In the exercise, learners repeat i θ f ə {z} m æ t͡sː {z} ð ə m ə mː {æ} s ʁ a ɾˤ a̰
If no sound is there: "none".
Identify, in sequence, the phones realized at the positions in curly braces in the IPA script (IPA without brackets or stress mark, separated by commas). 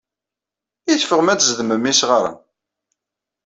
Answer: ʁ, z, i